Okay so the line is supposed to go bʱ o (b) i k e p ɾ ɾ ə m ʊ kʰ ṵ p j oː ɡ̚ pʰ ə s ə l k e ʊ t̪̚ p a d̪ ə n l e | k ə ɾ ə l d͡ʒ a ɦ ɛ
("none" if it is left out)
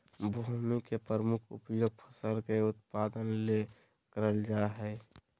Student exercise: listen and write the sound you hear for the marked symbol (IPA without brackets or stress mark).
m